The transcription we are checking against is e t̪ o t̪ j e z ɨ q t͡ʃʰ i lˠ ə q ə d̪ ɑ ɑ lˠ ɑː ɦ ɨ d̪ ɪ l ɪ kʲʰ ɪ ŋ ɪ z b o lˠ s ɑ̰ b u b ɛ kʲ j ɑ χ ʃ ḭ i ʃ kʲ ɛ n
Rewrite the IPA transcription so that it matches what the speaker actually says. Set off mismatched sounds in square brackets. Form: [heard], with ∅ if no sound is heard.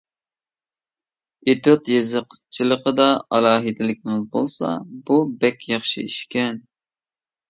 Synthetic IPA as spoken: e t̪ o t̪ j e z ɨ q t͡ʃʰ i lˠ ə q ə d̪ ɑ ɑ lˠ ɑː ɦ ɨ d̪ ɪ l ɪ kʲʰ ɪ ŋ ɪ z b o lˠ s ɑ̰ b u b ɛ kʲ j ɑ χ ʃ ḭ i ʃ kʲ ɛ n

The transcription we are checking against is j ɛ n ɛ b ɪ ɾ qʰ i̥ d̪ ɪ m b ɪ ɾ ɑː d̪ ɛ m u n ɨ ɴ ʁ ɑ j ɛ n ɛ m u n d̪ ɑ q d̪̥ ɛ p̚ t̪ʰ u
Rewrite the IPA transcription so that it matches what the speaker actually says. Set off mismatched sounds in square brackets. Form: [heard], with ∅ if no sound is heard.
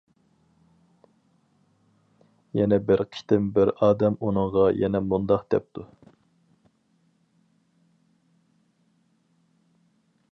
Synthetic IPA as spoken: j ɛ n ɛ b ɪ ɾ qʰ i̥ [t̪] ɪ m b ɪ ɾ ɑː d̪ ɛ m u n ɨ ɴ ʁ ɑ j ɛ n ɛ m u n d̪ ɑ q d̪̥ ɛ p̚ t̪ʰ u

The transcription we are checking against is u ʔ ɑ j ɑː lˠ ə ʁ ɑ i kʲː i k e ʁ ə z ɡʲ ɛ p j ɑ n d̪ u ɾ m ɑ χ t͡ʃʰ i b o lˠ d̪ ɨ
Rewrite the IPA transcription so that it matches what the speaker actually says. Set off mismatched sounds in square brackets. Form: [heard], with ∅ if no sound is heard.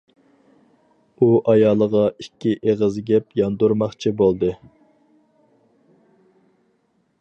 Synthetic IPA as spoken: u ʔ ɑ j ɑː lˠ ə ʁ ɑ i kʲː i [ʔ] e ʁ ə z ɡʲ ɛ p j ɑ n d̪ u ɾ m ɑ χ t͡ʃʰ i b o lˠ d̪ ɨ

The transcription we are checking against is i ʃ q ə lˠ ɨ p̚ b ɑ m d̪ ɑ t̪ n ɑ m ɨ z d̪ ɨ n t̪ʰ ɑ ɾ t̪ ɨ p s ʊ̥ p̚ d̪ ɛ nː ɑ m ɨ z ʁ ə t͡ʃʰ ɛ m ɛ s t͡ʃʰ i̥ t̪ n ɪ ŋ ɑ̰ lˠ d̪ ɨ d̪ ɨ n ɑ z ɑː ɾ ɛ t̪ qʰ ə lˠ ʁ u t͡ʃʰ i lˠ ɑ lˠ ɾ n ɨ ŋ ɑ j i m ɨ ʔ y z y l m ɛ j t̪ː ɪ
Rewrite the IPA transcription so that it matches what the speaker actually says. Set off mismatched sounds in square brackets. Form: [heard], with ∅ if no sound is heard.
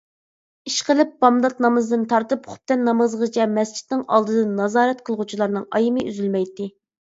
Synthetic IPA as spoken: i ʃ q ə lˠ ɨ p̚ b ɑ m d̪ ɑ t̪ n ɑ m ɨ z d̪ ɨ n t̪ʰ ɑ ɾ t̪ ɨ p [χ] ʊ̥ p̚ [t̪] ɛ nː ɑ m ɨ z ʁ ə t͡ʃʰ ɛ m ɛ s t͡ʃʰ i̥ t̪ n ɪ ŋ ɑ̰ lˠ d̪ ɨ d̪ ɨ n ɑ z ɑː ɾ ɛ t̪ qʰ ə lˠ ʁ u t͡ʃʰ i lˠ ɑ [∅] ɾ n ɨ ŋ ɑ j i m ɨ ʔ y z y l m ɛ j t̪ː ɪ

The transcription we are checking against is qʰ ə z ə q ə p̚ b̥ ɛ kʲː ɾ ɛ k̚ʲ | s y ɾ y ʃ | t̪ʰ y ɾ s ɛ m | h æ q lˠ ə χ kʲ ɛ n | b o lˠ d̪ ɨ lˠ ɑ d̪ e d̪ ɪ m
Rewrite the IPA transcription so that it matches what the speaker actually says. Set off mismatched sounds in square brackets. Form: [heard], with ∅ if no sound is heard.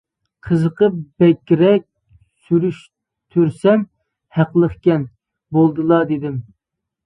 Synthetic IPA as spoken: qʰ ə z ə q ə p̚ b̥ ɛ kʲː ɾ ɛ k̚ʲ | s y ɾ y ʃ | t̪ʰ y ɾ s ɛ m | h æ q lˠ ə χ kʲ ɛ n | b o lˠ d̪ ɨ lˠ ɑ d̪ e d̪ ɪ m

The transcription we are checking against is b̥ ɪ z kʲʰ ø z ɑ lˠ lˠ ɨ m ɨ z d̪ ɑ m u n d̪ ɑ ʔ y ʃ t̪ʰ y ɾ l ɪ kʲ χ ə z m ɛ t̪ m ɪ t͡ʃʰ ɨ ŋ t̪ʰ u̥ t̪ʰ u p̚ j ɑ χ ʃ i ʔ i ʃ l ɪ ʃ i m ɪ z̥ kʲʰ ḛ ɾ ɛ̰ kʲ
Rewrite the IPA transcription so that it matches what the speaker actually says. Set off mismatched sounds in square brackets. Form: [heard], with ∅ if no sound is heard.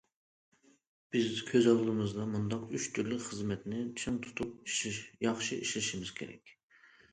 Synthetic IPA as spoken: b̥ ɪ z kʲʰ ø z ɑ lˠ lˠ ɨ m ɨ z d̪ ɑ m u n d̪ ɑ [q] y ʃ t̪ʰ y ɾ l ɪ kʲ χ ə z m ɛ t̪ [n] ɪ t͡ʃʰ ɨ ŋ t̪ʰ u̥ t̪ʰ u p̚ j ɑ χ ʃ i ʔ i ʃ l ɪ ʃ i m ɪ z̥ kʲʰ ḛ ɾ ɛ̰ kʲ

